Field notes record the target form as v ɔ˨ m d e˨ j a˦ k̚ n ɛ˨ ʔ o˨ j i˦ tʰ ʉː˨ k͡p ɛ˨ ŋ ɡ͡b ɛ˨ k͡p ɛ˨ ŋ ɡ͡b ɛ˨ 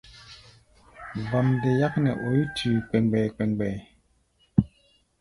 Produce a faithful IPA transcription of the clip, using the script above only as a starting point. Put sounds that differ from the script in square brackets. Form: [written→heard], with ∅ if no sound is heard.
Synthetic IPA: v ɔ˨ m d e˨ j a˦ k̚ n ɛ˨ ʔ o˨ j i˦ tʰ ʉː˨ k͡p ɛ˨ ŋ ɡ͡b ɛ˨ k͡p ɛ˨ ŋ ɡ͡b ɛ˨